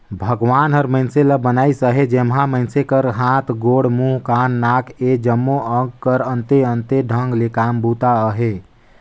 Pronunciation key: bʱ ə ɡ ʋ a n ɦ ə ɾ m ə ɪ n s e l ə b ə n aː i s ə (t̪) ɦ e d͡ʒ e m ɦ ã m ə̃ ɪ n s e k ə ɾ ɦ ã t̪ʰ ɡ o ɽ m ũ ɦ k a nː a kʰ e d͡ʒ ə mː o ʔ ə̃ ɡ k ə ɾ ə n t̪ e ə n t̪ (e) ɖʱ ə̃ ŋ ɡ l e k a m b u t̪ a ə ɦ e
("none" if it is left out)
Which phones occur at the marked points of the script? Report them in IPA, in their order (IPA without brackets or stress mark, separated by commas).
none, e